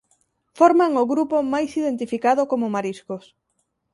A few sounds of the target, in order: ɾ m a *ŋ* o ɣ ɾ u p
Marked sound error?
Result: no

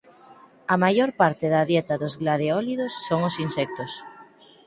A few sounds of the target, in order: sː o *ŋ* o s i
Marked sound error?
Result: no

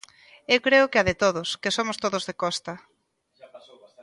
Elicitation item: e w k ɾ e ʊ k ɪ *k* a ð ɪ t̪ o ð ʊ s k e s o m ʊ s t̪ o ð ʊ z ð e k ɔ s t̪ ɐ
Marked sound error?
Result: yes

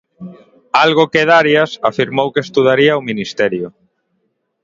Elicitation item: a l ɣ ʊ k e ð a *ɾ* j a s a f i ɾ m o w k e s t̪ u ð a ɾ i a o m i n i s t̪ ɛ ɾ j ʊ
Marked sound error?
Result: no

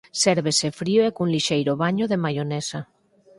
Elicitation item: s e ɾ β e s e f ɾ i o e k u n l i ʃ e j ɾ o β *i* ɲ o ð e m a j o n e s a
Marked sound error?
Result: yes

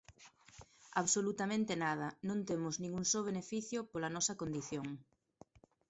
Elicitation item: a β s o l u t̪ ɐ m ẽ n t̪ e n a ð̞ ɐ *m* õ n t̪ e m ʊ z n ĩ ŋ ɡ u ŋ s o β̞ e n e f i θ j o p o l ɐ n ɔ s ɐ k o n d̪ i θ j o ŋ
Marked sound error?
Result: yes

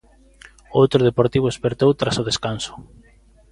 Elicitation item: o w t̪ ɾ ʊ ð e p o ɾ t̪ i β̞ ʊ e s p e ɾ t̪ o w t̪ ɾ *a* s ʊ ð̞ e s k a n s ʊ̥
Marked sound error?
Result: no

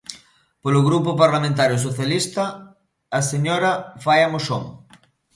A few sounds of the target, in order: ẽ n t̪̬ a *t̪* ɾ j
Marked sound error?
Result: yes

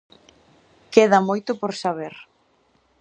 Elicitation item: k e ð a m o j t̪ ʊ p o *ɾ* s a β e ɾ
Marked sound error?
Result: no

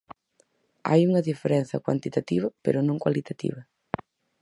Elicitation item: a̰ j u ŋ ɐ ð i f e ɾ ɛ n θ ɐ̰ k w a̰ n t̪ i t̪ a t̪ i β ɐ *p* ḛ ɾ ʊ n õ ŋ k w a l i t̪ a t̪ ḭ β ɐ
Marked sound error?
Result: no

